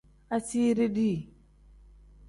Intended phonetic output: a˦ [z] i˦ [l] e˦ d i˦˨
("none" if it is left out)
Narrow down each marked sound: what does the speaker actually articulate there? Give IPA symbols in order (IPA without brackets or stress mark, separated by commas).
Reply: s, ɾ